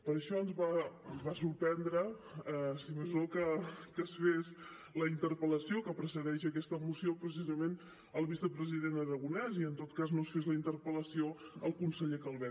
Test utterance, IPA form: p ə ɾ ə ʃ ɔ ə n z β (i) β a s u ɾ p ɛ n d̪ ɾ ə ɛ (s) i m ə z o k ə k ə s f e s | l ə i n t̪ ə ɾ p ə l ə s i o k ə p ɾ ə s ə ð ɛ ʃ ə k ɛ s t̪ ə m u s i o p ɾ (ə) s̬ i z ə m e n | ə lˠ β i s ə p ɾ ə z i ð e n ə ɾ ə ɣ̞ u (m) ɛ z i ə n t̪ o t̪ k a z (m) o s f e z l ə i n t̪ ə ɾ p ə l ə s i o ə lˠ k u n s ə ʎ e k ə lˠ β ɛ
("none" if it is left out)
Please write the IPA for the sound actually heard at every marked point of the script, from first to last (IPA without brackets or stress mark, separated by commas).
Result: a, s, ə, n, n